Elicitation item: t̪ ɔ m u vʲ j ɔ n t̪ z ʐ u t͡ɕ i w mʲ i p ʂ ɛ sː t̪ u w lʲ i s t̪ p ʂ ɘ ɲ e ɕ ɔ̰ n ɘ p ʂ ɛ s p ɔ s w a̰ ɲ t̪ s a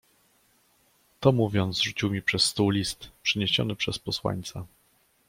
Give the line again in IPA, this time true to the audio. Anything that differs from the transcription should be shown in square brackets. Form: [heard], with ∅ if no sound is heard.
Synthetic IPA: t̪ ɔ m u vʲ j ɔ n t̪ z ʐ u t͡ɕ i w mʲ i p ʂ ɛ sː t̪ u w lʲ i s t̪ p ʂ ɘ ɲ e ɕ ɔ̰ n ɘ p ʂ ɛ s p ɔ s w a̰ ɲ t̪ s a